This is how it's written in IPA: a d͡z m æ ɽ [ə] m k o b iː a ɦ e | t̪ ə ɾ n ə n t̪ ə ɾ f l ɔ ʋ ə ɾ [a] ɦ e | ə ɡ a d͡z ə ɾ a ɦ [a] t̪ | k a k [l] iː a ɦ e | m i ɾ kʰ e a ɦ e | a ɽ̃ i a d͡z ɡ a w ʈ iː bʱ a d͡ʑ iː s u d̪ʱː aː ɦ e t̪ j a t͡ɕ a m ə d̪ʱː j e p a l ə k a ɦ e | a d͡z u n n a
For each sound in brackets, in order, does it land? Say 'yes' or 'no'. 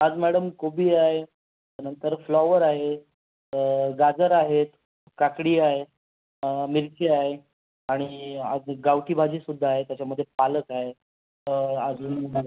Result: yes, yes, no, no

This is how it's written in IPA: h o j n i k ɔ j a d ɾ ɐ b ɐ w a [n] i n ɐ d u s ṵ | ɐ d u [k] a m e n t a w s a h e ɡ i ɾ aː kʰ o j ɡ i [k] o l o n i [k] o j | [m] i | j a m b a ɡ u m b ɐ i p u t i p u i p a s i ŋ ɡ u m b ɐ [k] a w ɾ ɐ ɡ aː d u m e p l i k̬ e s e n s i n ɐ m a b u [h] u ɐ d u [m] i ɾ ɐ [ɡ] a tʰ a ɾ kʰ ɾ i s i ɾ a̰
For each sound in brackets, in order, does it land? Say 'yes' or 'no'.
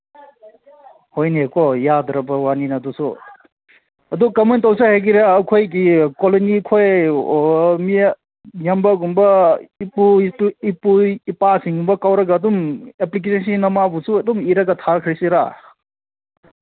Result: yes, yes, yes, no, yes, yes, no, yes, yes

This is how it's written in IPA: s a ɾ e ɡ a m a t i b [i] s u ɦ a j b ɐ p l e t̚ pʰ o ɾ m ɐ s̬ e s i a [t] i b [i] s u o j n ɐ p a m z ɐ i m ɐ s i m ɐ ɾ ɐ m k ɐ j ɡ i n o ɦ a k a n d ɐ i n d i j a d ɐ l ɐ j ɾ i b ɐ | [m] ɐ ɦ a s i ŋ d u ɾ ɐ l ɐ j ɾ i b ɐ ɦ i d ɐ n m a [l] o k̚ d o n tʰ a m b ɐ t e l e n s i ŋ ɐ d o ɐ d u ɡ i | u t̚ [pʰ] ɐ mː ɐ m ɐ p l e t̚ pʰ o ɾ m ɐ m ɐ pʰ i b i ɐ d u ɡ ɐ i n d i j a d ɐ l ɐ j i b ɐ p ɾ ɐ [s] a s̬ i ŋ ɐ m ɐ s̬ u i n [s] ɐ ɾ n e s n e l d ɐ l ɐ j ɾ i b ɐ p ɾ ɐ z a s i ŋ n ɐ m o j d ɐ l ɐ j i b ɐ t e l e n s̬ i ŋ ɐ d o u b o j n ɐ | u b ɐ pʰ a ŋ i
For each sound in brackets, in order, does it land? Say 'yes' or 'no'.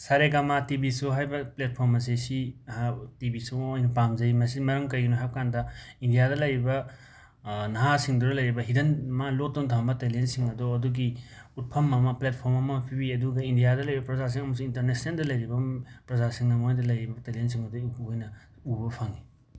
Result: yes, yes, yes, no, yes, yes, no, no

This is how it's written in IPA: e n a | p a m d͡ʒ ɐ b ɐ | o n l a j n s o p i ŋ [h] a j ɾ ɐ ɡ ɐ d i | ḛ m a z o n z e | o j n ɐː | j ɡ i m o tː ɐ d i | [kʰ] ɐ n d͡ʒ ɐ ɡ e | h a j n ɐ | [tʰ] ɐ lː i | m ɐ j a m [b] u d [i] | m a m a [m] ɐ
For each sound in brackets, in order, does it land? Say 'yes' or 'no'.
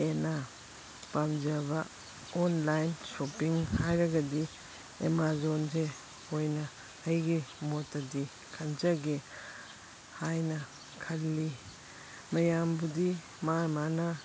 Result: yes, yes, no, yes, yes, no

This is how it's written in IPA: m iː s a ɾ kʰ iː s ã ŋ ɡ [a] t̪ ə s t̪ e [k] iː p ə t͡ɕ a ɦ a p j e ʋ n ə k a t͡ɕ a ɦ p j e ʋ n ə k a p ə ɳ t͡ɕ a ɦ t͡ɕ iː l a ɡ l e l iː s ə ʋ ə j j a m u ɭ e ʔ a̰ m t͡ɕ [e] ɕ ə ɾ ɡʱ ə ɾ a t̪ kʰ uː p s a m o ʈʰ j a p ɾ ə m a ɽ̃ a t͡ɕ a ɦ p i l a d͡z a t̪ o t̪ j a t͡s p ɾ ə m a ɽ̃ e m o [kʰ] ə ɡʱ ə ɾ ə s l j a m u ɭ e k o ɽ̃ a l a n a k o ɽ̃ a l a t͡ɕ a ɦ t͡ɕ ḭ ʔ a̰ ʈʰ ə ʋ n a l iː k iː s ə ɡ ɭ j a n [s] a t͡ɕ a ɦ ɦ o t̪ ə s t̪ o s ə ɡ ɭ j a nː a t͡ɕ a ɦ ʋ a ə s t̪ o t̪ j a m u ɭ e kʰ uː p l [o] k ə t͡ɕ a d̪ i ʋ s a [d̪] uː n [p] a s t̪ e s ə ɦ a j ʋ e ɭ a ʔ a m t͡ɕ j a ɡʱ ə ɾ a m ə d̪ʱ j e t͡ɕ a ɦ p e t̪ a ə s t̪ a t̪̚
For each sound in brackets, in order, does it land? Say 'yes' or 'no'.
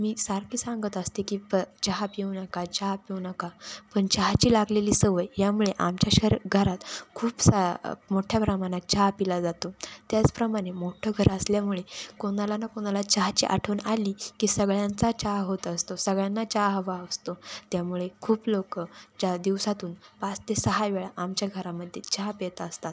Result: no, yes, no, no, no, yes, no, yes

